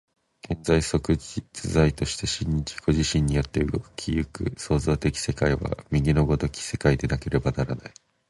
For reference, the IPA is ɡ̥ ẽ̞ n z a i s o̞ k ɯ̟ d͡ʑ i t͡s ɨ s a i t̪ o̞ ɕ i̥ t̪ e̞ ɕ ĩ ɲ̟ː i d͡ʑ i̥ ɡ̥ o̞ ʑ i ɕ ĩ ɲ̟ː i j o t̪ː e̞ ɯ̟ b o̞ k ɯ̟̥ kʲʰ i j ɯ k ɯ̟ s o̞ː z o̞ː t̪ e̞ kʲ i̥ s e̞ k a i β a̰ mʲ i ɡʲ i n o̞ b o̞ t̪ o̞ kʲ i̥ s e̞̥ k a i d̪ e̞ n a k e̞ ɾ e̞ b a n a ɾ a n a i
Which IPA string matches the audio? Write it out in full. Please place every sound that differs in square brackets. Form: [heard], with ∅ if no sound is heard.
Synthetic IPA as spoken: ɡ̥ ẽ̞ n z a i s o̞ k ɯ̟ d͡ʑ i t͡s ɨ [z] a i t̪ o̞ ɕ i̥ t̪ e̞ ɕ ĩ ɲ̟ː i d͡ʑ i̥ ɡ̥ o̞ ʑ i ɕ ĩ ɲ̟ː i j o t̪ː e̞ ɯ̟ [ɡ] o̞ k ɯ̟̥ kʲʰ i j ɯ k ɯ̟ s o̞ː z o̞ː t̪ e̞ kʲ i̥ s e̞ k a i β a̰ mʲ i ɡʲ i n o̞ [ɡ] o̞ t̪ o̞ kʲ i̥ s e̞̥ k a i d̪ e̞ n a k e̞ ɾ e̞ b a n a ɾ a n a i